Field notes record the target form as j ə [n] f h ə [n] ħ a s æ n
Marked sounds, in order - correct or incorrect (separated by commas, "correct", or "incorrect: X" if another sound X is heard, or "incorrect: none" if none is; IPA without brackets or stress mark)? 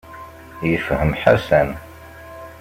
incorrect: none, incorrect: m